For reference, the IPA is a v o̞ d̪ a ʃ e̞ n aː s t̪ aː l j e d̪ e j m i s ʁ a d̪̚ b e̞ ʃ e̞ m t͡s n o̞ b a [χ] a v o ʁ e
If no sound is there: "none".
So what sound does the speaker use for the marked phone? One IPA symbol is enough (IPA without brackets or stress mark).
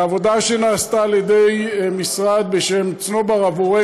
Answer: ʁ